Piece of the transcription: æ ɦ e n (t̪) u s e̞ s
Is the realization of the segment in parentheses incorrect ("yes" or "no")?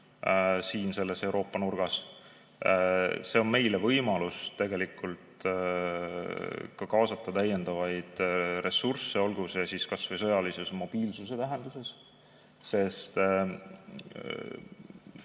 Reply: yes